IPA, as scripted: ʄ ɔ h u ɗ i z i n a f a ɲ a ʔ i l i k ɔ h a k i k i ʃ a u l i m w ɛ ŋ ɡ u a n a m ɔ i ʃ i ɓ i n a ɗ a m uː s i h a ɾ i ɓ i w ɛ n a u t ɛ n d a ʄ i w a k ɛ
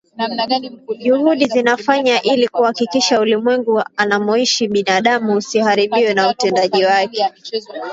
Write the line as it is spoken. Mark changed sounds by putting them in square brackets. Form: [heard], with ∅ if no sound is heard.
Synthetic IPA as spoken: ʄ [u] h u ɗ i z i n a f a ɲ a ʔ i l i k [u] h a k i k i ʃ a u l i m w ɛ ŋ ɡ u a n a m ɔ i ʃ i ɓ i n a ɗ a m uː s i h a ɾ i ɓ i w ɛ n a u t ɛ n d a ʄ i w a k ɛ